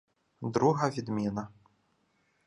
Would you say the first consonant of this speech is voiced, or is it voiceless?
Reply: voiced